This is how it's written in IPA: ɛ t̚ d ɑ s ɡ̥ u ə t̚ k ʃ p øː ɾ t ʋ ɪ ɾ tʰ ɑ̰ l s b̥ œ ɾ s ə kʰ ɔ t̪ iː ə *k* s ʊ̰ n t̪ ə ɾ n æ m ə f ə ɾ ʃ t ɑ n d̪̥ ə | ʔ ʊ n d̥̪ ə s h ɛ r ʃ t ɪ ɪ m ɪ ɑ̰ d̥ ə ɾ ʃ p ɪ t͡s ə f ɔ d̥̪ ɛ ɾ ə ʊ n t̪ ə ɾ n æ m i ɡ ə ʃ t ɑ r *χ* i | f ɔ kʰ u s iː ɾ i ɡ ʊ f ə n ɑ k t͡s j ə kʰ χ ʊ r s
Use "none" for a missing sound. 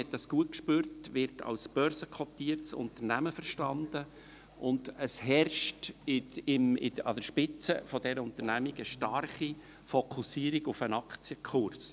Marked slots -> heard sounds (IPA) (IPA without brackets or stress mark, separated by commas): t, χ